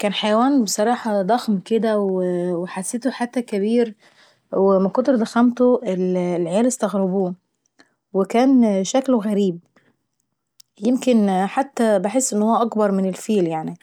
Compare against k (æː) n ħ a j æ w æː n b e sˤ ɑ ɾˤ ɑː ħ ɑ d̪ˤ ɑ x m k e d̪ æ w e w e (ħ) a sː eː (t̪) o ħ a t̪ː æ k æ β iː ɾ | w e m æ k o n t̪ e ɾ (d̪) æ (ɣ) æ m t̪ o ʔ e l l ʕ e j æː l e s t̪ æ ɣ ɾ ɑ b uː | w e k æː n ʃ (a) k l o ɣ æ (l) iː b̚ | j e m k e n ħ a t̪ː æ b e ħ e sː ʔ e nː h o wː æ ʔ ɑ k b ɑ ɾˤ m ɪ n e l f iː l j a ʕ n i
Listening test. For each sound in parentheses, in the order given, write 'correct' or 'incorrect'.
correct, correct, correct, correct, incorrect: x, incorrect: æ, incorrect: ɾ

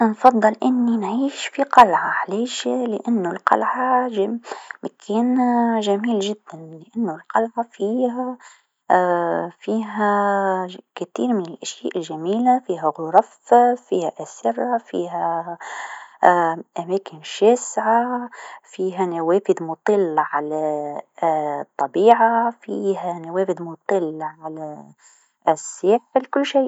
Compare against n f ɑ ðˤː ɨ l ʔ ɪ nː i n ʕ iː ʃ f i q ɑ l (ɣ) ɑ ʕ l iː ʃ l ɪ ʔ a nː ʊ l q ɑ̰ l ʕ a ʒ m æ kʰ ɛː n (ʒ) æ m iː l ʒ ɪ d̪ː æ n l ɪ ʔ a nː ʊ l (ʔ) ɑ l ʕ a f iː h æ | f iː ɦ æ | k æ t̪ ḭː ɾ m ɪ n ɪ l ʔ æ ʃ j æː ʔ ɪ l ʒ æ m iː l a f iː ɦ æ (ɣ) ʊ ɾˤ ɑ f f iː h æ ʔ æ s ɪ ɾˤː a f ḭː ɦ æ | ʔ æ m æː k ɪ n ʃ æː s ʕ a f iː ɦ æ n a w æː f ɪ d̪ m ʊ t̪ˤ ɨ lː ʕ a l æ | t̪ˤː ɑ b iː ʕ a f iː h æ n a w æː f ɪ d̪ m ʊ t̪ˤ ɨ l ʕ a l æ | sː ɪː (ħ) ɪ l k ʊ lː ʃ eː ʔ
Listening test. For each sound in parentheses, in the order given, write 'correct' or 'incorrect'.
incorrect: ʕ, correct, incorrect: q, correct, correct

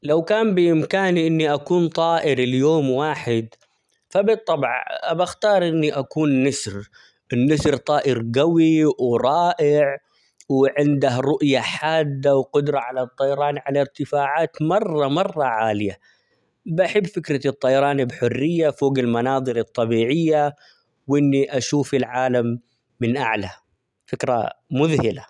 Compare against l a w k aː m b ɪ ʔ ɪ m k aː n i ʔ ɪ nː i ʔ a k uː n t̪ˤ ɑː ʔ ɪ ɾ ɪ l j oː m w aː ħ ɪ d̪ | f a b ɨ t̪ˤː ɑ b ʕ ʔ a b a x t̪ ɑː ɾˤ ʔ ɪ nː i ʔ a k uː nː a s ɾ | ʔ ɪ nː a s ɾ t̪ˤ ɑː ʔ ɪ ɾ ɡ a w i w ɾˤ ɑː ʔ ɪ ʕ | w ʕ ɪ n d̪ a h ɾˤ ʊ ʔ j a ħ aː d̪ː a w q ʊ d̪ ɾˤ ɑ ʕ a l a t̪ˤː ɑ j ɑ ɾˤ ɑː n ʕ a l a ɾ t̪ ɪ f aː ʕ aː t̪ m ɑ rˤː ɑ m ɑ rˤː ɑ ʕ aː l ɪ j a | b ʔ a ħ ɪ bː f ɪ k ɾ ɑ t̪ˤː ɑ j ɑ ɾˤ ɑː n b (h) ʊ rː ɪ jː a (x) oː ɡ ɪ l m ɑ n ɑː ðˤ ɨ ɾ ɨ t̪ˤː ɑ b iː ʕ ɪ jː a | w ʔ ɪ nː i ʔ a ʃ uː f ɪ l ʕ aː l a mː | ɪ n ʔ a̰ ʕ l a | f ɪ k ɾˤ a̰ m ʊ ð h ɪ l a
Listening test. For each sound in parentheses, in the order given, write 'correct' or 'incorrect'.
incorrect: ħ, incorrect: f

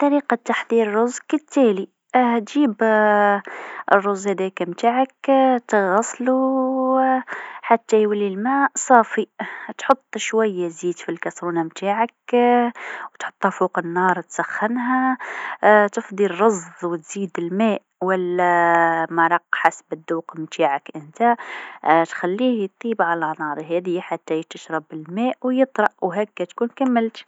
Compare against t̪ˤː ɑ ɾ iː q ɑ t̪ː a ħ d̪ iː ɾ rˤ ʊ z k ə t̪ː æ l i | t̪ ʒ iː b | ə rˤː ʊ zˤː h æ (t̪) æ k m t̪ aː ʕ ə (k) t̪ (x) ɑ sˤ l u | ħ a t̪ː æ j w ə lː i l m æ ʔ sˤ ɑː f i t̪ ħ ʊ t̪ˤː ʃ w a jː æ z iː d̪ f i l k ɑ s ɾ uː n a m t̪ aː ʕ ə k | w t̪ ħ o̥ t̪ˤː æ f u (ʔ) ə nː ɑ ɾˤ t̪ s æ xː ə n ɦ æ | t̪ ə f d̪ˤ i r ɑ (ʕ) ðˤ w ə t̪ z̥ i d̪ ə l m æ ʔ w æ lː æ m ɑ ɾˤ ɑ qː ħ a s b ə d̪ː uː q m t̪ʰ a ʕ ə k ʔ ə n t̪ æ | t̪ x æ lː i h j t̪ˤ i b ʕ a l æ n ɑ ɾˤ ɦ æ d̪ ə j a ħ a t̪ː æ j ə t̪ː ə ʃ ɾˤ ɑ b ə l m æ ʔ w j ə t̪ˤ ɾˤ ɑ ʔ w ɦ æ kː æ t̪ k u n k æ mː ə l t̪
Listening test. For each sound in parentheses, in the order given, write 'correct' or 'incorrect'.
incorrect: d̪, correct, incorrect: ɣ, incorrect: q, incorrect: z

